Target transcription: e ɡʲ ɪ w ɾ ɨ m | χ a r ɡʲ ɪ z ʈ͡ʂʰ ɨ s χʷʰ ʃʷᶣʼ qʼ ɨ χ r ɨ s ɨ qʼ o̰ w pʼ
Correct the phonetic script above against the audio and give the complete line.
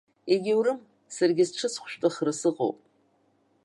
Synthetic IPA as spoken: e ɡʲ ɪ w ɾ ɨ m | s a r ɡʲ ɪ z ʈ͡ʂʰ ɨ s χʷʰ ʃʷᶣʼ tʼ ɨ χ r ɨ s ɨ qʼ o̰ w pʼ